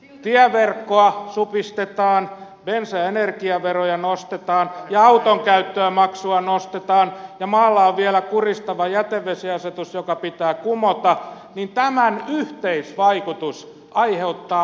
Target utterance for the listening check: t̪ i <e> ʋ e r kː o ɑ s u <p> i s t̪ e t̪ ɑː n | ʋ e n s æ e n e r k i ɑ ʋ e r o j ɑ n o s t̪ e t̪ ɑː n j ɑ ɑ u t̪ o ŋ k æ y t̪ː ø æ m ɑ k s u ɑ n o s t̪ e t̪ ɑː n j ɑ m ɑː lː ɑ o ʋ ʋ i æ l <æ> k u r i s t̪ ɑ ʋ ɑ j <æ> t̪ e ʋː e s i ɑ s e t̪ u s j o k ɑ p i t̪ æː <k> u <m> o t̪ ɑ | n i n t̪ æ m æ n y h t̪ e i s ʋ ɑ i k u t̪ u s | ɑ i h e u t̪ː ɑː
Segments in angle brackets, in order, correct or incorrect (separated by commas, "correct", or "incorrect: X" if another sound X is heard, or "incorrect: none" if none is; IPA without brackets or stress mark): incorrect: æ, correct, correct, correct, correct, correct